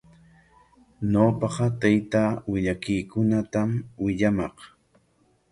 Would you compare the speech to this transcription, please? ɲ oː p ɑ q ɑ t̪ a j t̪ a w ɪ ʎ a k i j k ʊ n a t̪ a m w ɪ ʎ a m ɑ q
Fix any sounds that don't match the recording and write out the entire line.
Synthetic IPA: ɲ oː p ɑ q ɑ t̪ a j t̪ a w ɪ ʎ a k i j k ʊ n a t̪ a m w ɪ ʎ a m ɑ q

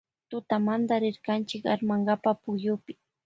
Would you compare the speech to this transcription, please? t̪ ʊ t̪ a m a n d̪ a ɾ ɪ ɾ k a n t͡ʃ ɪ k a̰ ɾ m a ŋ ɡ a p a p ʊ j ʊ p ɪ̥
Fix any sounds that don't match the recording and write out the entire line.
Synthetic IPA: t̪ ʊ t̪ a m a n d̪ a ɾ ɪ ɾ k a n t͡ʃ ɪ k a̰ ɾ m a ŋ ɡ a p a p ʊ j ʊ p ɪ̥

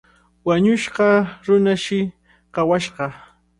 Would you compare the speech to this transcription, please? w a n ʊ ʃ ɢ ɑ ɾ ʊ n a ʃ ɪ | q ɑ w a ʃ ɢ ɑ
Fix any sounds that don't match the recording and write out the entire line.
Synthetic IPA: w a ɲ ʊ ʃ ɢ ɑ ɾ ʊ n a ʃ ɪ | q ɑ w a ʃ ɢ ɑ

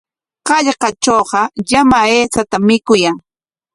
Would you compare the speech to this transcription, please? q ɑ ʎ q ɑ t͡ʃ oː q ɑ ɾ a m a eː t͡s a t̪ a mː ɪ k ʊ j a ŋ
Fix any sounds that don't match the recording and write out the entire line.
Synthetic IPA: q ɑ ʎ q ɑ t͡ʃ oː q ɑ ʎ a m a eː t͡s a t̪ a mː ɪ k ʊ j a ŋ

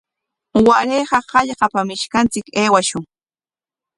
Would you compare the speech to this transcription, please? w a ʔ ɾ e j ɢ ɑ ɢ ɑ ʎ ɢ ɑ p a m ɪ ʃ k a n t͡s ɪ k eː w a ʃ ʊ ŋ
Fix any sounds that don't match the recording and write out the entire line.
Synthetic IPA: w a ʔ ɾ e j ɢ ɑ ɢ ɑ ʎ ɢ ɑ p a m ɪ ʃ k a n t͡s ɪ k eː w a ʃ ʊ ŋ

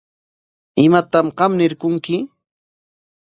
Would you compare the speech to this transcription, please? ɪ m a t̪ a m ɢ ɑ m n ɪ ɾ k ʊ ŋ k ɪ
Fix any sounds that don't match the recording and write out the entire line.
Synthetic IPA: ɪ m a t̪ a m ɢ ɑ m n ɪ ɾ k ʊ ŋ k ɪ

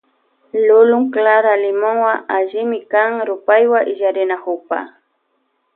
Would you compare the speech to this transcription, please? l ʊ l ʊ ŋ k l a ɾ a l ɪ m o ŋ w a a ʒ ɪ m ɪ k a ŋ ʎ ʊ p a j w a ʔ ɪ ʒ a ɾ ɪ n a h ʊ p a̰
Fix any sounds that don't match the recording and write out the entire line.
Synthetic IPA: l ʊ l ʊ ŋ k l a ɾ a l ɪ m o ŋ w a a ʒ ɪ m ɪ k a ŋ ɾ ʊ p a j w a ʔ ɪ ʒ a ɾ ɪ n a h ʊ p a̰

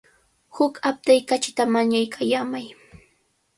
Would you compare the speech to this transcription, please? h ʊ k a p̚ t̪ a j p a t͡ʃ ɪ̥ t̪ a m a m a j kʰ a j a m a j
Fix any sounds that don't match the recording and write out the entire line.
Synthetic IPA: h ʊ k a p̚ t̪ a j k a t͡ʃ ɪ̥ t̪ a m a ɲ a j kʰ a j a m a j

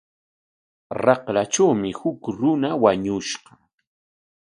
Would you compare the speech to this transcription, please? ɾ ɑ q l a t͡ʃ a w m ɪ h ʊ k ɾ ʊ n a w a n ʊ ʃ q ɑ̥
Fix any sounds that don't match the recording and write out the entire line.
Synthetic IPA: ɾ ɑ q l a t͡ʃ a w m ɪ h ʊ k ɾ ʊ n a w a ɲ ʊ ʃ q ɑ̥

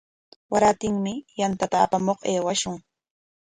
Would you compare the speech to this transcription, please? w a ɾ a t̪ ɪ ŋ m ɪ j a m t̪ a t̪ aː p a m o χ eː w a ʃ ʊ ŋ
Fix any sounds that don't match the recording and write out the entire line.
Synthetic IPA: w a ɾ a t̪ ɪ ŋ m ɪ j a n t̪ a t̪ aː p a m o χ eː w a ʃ ʊ ŋ

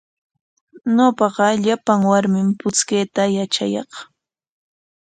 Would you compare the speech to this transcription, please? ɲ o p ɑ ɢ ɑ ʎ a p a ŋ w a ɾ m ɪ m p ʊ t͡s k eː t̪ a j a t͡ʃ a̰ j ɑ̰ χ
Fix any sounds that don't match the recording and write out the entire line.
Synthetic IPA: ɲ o p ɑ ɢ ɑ ʎ a p a ŋ w a ɾ m ɪ m p ʊ t͡s k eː t̪ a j a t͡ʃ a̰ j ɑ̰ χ

